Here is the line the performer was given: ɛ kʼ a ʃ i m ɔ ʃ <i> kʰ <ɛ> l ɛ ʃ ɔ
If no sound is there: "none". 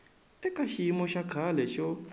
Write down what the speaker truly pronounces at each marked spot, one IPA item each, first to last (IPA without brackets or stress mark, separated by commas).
a, a